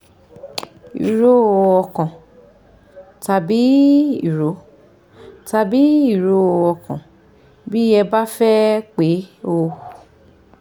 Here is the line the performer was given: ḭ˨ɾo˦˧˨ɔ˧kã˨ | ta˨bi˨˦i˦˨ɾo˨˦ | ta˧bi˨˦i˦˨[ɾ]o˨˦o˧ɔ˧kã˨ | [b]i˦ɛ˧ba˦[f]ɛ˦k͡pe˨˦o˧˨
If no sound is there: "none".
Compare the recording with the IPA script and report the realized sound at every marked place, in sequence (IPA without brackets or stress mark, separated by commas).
ɾ, b, f